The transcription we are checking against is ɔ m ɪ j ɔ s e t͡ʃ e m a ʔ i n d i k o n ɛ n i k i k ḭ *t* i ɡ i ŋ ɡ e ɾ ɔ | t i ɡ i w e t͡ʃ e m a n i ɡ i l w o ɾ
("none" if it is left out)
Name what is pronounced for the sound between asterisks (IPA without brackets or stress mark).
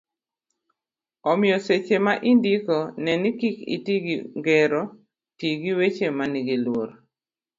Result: t